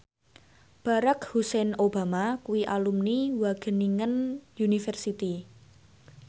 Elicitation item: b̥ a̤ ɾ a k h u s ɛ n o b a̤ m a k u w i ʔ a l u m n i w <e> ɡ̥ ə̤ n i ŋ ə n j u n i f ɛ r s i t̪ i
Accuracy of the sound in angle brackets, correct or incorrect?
incorrect